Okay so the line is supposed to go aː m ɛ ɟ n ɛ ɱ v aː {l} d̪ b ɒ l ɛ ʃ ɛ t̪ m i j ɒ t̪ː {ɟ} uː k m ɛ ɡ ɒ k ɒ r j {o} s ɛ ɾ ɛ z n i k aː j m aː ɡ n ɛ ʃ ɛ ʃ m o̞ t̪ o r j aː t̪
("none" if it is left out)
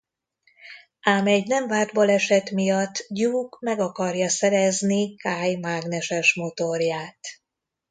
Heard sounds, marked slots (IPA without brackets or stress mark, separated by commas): r, ɟ, ɒ